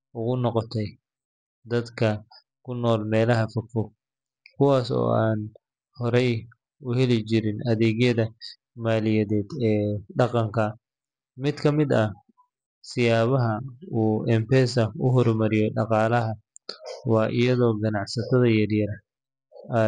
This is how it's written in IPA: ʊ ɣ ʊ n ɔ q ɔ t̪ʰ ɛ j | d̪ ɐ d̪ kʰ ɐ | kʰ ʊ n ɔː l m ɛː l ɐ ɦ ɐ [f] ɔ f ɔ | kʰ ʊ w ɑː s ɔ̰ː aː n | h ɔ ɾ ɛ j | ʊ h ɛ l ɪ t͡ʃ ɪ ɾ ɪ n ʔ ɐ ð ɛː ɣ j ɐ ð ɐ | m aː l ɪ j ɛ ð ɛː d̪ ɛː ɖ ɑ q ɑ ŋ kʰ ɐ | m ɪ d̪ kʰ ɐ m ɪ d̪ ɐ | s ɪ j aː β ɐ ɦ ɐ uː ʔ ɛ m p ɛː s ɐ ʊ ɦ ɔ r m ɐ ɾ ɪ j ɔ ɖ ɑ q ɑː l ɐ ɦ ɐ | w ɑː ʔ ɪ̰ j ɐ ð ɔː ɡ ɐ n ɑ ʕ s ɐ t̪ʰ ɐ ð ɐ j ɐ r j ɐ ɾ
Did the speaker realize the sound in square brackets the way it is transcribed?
yes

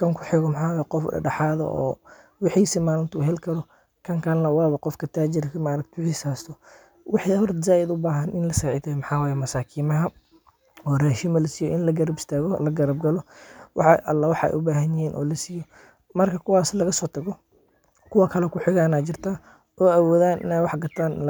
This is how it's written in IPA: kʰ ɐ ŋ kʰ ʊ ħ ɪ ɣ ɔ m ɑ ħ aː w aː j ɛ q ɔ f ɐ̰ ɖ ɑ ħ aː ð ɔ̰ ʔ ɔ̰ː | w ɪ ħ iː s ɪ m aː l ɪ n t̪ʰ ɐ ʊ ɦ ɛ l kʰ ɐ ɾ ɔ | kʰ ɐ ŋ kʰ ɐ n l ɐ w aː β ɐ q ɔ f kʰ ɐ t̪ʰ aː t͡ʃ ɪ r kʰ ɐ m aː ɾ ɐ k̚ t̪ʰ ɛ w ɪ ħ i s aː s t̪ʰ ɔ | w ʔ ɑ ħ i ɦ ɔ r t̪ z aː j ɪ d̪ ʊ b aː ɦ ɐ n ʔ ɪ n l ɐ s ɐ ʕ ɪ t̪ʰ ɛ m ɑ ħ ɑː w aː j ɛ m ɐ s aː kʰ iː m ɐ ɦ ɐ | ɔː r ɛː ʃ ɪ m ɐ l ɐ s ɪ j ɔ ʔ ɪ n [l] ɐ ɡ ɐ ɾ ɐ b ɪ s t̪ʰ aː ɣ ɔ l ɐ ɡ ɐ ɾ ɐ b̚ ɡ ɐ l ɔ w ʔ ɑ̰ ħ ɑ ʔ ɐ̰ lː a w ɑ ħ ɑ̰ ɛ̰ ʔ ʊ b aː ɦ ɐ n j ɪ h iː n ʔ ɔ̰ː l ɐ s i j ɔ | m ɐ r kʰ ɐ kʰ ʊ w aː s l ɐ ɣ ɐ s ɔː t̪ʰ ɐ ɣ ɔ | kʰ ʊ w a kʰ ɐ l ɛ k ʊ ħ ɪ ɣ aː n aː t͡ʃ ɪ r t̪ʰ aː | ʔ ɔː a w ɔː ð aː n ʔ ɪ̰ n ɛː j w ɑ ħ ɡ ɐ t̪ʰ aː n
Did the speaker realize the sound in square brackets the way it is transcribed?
yes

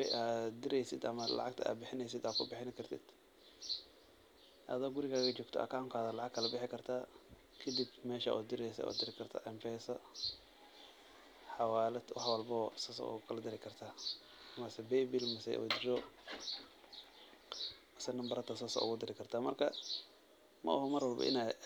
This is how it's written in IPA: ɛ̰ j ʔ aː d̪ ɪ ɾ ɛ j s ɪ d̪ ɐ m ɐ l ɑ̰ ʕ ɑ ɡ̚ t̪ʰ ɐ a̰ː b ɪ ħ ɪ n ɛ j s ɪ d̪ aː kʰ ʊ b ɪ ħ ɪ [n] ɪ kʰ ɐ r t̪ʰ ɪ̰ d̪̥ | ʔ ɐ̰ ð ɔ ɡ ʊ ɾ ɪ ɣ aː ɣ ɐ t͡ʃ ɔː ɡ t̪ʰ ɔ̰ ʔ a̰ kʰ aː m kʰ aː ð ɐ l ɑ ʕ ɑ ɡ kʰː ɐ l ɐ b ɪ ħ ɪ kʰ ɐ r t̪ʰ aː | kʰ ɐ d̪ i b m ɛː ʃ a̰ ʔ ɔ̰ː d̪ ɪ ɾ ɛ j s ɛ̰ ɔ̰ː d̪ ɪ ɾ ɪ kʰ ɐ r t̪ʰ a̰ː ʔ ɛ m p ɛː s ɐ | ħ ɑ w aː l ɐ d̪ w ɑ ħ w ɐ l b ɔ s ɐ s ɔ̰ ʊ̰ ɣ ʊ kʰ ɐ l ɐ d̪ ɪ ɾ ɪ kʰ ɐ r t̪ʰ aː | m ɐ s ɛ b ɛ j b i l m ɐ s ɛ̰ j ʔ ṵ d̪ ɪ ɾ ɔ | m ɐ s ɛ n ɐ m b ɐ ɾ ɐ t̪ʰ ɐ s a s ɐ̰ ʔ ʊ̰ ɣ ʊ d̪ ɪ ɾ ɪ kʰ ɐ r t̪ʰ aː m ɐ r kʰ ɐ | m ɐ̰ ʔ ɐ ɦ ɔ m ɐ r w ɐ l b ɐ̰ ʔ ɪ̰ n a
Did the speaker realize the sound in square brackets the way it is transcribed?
yes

